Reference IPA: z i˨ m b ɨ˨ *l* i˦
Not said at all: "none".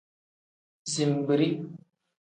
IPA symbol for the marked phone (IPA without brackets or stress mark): ɾ